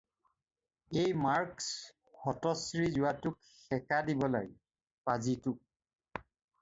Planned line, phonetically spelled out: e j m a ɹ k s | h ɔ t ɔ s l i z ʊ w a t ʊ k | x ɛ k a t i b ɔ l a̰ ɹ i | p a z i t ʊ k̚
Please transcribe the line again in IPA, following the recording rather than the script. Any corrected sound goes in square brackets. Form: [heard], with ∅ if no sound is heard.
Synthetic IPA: e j m a ɹ k s | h ɔ t ɔ s [ɹ] i z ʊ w a t ʊ k | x ɛ k a [d] i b ɔ l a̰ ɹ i | p a z i t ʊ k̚